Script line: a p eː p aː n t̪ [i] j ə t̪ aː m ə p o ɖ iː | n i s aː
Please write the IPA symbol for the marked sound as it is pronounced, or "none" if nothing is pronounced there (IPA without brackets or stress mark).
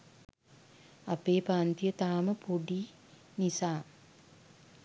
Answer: i